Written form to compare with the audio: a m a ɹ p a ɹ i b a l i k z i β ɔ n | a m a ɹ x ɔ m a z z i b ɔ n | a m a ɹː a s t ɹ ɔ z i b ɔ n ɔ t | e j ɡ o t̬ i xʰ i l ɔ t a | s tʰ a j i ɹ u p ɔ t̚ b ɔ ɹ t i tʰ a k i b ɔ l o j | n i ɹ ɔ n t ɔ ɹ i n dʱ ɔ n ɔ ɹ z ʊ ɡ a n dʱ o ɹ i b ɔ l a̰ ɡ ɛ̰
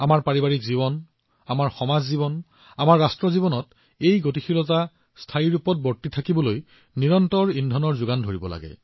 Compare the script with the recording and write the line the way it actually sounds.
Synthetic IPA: a m a ɹ p a ɹ i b a ɹ i k z i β ɔ n | a m a ɹ x ɔ m a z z i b ɔ n | a m a ɹː a s t ɹ ɔ z i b ɔ n ɔ t | e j ɡ o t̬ i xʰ i l ɔ t a | s tʰ a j i ɹ u p ɔ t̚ b ɔ ɹ t i tʰ a k i b ɔ l o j | n i ɹ ɔ n t ɔ ɹ i n dʱ ɔ n ɔ ɹ z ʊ ɡ a n dʱ o ɹ i b ɔ l a̰ ɡ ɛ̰